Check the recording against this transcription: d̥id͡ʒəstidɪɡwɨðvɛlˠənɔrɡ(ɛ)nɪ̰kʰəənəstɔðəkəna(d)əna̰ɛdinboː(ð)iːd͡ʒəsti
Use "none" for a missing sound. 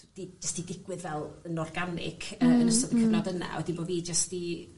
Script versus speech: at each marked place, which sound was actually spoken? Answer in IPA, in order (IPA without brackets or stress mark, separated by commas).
a, d, v